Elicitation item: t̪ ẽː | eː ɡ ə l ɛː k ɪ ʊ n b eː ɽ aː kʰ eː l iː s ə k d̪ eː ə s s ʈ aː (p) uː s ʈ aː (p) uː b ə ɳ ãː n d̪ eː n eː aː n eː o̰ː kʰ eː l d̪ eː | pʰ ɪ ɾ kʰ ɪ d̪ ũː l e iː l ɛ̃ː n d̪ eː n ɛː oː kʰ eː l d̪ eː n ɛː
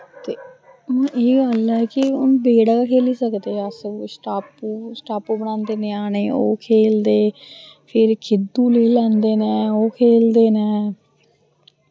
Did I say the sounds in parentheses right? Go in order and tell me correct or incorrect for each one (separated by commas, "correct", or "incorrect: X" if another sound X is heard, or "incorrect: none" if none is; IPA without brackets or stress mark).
correct, correct